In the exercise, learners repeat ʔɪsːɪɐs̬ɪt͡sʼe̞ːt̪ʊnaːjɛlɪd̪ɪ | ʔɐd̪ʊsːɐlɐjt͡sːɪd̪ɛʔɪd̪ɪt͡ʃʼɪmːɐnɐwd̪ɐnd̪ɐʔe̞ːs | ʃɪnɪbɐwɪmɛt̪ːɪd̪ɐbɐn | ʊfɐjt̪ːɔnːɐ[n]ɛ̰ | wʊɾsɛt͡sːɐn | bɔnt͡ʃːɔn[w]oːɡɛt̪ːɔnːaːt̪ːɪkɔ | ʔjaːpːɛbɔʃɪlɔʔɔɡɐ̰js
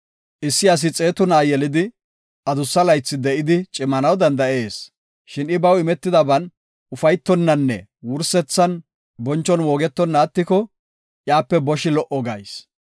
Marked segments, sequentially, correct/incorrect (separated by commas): incorrect, correct